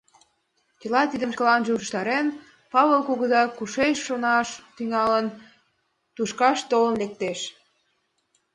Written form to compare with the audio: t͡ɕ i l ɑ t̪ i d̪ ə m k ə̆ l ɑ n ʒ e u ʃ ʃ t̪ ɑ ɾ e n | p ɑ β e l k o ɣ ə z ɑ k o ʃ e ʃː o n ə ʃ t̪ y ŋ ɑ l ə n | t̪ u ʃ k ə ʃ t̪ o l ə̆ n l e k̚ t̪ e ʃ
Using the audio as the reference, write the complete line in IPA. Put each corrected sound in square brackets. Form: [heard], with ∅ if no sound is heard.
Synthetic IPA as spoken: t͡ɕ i l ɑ t̪ i d̪ ə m k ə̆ l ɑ n ʒ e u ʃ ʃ t̪ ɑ ɾ e n | p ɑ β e l k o ɣ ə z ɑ k [u] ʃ e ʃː o n [ɑ] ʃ t̪ y ŋ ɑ l ə n | t̪ u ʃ k [ɑ] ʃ t̪ o l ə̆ n l e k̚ t̪ e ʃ